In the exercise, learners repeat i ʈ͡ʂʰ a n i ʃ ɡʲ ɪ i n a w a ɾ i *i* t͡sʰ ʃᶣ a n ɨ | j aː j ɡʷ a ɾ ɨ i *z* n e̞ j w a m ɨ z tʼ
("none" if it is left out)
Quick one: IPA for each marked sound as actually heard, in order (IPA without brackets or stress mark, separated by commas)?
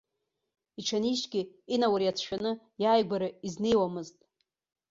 a, z